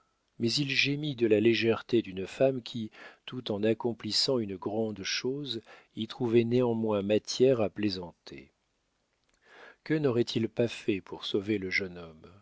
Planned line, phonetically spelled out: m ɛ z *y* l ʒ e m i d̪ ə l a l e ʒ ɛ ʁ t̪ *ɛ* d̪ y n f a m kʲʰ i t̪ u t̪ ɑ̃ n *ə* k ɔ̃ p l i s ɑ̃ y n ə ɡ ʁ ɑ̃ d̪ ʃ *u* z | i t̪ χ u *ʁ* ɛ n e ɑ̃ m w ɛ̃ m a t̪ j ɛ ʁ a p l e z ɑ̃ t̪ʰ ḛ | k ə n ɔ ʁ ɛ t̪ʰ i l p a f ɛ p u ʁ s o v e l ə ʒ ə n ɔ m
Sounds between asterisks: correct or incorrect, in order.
incorrect: i, incorrect: e, incorrect: a, incorrect: o, incorrect: v

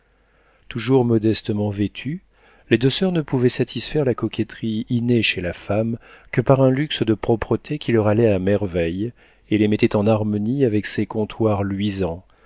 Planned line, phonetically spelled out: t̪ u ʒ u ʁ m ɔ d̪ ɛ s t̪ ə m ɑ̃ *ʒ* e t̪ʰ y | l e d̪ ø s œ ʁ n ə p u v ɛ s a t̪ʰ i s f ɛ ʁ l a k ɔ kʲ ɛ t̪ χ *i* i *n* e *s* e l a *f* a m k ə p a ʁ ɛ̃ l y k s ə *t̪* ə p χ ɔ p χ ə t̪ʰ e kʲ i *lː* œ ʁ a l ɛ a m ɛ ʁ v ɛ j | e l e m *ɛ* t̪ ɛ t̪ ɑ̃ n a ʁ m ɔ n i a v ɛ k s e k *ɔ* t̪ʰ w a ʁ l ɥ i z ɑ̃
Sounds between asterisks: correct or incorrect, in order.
incorrect: v, correct, correct, incorrect: ʃ, correct, incorrect: d̪, incorrect: l, correct, incorrect: ɔ̃

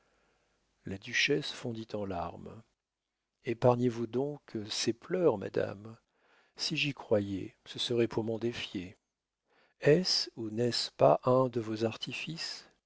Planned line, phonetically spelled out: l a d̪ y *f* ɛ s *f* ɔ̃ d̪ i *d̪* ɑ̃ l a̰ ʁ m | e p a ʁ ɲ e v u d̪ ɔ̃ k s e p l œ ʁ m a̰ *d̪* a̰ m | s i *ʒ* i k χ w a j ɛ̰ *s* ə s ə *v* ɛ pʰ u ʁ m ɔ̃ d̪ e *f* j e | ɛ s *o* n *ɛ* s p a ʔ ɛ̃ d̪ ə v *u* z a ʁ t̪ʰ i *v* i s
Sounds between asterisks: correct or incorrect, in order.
incorrect: ʃ, correct, incorrect: t̪, correct, correct, correct, incorrect: ʁ, correct, incorrect: u, correct, incorrect: o, incorrect: f

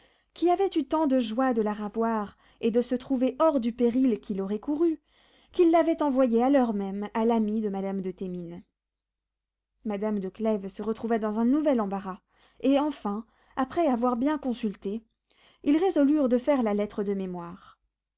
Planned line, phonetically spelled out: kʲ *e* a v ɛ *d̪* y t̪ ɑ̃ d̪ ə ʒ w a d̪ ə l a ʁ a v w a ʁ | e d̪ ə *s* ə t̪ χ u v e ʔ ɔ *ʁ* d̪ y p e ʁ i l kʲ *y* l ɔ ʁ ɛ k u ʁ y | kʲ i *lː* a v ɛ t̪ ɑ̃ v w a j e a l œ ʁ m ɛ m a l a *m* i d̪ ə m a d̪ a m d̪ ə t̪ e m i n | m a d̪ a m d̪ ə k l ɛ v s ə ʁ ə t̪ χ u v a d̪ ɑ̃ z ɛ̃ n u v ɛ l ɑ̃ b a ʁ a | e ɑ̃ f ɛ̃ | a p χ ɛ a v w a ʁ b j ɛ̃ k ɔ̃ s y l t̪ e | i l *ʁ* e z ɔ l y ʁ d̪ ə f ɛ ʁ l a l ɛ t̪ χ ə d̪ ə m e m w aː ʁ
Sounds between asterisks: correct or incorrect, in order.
incorrect: i, incorrect: t̪, correct, correct, incorrect: i, correct, correct, correct

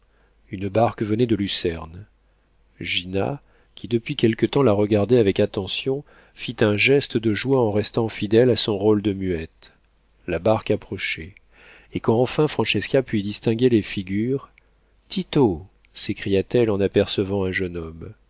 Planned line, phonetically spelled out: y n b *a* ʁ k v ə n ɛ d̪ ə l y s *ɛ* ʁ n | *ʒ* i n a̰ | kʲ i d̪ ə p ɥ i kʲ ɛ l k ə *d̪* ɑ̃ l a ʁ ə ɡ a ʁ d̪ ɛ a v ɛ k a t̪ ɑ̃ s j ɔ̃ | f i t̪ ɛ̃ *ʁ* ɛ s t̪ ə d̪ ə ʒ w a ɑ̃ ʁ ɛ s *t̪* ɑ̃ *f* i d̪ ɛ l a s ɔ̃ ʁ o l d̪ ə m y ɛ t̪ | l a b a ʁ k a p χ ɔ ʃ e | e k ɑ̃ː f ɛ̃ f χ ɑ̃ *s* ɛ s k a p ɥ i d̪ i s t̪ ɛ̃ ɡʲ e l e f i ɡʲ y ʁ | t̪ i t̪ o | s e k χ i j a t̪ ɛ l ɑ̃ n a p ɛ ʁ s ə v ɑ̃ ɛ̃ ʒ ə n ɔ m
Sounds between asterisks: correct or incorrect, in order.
correct, correct, correct, incorrect: t̪, incorrect: ʒ, correct, correct, incorrect: ʃ

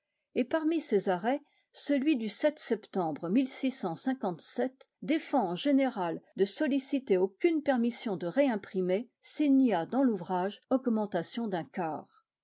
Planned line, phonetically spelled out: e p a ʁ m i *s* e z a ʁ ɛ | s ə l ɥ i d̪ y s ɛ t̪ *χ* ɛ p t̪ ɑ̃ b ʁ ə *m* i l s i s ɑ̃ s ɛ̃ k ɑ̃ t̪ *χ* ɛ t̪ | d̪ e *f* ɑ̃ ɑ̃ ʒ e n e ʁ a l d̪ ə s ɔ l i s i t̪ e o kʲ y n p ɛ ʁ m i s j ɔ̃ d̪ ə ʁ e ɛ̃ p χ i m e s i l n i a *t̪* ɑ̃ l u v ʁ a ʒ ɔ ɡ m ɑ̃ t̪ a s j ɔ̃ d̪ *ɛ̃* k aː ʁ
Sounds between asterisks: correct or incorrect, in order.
correct, incorrect: s, correct, incorrect: s, correct, incorrect: d̪, correct

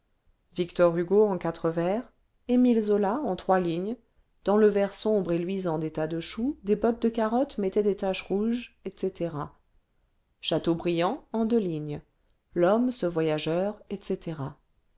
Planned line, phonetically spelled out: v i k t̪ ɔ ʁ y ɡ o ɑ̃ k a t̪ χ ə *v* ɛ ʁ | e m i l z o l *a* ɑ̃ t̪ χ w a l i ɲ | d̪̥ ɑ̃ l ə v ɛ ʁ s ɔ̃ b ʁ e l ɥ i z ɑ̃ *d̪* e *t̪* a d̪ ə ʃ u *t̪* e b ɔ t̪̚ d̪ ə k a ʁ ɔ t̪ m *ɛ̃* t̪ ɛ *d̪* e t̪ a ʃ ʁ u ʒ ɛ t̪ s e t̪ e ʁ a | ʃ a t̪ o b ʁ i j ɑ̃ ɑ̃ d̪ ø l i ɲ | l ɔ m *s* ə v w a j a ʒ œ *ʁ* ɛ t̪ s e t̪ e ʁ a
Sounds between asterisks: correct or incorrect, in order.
correct, correct, correct, correct, incorrect: d̪, incorrect: ɛ, correct, correct, correct

